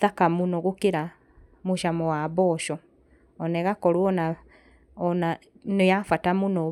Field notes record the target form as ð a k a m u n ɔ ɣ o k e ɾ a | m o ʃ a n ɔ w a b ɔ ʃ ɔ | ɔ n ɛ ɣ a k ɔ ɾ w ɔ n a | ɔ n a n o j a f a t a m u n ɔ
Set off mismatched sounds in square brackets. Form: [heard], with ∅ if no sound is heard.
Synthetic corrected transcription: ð a k a m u n ɔ ɣ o k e ɾ a | m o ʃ a [m] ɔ w a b ɔ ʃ ɔ | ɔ n ɛ ɣ a k ɔ ɾ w ɔ n a | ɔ n a n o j a f a t a m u n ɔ